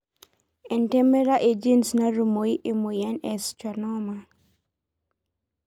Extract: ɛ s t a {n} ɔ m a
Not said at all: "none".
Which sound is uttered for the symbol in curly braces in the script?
n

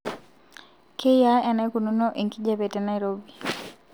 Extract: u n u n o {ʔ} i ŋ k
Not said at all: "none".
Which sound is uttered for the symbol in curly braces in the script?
ʔ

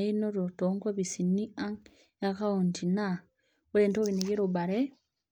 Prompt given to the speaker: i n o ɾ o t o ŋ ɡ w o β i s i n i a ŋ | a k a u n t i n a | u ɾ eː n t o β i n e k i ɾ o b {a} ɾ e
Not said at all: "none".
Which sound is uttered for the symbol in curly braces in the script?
a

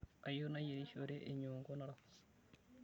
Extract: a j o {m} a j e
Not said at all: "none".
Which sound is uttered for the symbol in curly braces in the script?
n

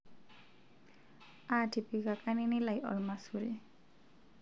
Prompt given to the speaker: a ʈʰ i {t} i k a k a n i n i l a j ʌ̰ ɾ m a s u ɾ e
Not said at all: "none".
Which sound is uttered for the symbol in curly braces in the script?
p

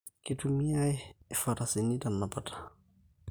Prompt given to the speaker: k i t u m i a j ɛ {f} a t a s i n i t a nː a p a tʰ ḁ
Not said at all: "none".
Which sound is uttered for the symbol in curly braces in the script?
f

